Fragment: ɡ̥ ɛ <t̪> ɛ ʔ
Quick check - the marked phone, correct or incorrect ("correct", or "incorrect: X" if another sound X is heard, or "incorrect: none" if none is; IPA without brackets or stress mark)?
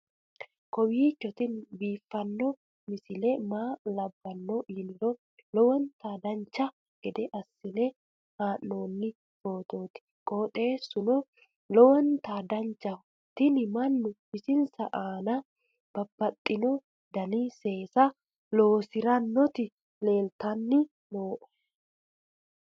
incorrect: d̪